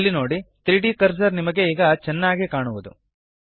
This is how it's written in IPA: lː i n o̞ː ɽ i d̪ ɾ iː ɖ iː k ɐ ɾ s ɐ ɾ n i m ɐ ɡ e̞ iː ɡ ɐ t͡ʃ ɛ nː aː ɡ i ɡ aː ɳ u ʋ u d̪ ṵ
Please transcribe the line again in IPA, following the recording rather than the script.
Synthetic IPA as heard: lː i n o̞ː ɽ i t̪ ɾ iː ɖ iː k ɐ ɾ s ɐ ɾ n i m ɐ ɡ e̞ iː ɡ ɐ t͡ʃ ɛ nː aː ɡ i k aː ɳ u ʋ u d̪ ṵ